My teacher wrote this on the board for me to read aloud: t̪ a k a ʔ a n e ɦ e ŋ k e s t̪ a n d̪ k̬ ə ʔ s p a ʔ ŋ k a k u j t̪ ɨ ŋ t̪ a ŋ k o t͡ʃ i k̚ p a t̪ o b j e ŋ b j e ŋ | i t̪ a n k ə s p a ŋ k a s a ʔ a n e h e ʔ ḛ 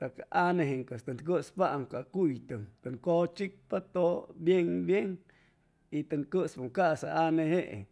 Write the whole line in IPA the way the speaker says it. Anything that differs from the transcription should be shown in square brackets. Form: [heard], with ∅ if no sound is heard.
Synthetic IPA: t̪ a k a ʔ a n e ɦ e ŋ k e s t̪ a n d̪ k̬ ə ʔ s p a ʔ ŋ k a k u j t̪ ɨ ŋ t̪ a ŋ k o t͡ʃ i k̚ p a t̪ o b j e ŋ b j e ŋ | i t̪ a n k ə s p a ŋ k a s a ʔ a n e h e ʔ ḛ